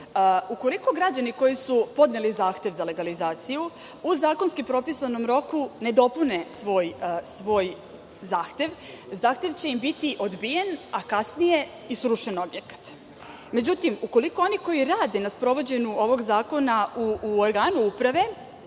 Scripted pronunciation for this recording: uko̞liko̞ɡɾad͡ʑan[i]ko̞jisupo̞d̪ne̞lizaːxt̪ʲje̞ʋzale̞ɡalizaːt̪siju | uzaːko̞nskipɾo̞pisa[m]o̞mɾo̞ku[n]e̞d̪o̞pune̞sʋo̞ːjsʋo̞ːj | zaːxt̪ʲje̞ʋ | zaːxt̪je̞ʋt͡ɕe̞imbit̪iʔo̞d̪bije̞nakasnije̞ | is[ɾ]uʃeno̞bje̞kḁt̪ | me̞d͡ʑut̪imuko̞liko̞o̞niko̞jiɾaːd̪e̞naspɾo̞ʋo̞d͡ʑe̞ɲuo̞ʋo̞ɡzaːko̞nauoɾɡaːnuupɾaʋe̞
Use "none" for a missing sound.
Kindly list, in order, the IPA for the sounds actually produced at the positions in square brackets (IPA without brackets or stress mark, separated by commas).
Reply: i, n, n, ɾ